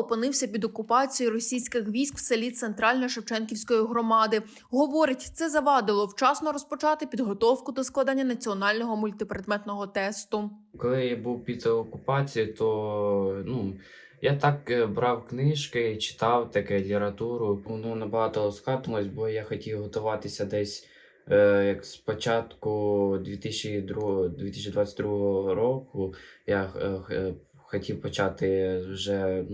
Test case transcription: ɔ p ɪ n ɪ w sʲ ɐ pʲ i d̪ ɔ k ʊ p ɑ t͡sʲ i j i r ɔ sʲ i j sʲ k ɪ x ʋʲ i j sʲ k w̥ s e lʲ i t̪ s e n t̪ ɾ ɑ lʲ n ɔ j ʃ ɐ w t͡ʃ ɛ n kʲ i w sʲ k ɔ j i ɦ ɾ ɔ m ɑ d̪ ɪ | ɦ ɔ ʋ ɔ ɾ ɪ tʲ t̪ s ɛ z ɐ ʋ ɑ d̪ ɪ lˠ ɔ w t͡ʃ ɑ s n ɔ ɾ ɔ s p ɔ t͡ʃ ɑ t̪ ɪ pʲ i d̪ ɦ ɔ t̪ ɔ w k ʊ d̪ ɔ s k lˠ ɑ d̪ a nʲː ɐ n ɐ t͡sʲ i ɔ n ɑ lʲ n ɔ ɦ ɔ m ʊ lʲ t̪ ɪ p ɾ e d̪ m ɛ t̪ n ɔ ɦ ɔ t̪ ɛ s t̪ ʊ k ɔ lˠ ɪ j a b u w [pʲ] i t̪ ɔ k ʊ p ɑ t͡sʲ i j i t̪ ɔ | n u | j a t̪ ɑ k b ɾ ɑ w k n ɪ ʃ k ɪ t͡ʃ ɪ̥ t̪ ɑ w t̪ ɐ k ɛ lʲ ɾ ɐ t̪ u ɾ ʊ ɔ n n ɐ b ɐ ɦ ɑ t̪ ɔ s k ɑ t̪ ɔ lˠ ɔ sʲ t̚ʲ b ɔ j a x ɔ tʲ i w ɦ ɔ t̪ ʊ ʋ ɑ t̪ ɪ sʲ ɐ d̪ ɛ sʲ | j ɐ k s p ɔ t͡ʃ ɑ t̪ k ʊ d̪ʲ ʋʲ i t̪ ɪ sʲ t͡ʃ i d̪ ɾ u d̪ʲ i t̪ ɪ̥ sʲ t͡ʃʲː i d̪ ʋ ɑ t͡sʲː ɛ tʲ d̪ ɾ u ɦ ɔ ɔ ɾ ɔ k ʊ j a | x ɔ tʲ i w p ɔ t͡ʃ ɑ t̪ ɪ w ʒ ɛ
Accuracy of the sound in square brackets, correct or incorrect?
correct